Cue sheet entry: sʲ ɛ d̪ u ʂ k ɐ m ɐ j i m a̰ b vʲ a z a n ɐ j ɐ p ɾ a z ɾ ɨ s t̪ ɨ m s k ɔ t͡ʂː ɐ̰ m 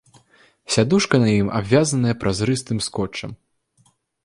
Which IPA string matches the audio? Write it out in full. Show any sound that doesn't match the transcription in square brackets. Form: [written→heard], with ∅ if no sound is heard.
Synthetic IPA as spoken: sʲ [ɛ→a] d̪ u ʂ k ɐ [m→n] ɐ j i m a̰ b vʲ a z [a→ɐ] n ɐ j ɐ p ɾ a z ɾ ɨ s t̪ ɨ m s k ɔ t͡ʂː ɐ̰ m